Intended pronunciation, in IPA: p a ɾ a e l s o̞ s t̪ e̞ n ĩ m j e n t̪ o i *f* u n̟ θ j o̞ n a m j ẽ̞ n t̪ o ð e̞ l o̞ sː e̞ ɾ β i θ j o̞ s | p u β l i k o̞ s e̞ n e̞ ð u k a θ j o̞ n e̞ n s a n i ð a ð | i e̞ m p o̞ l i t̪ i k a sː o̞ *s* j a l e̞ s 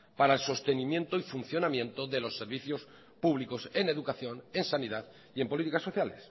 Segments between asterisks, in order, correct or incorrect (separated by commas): correct, incorrect